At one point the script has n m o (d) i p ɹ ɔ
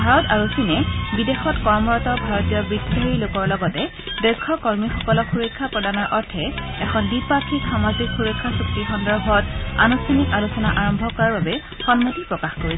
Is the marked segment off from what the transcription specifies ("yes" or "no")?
yes